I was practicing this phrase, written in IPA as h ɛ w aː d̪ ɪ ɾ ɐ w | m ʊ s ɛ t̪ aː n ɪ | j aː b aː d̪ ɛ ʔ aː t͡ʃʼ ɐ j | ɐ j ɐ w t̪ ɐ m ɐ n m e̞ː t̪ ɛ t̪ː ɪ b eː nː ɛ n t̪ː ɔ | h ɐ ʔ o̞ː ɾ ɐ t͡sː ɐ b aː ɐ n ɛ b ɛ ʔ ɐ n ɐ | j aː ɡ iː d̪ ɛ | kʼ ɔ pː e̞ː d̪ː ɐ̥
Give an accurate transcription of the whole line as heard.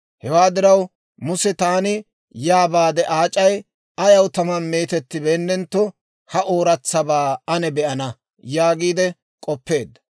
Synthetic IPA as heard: h ɛ w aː d̪ ɪ ɾ ɐ w | m ʊ s ɛ t̪ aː n ɪ | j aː b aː d̪ ɛ ʔ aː t͡ʃʼ ɐ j | ɐ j ɐ w t̪ ɐ m ɐ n m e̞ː t̪ ɛ t̪ː ɪ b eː nː ɛ n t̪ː ɔ | h ɐ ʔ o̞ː ɾ ɐ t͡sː ɐ b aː ɐ n ɛ b ɛ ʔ ɐ n ɐ | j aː ɡ iː d̪ ɛ | kʼ ɔ pː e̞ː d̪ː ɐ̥